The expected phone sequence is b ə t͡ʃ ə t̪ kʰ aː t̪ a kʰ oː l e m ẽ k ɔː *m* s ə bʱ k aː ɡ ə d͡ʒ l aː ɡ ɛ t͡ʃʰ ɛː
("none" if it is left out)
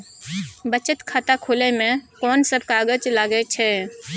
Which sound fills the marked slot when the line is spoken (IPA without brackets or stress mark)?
n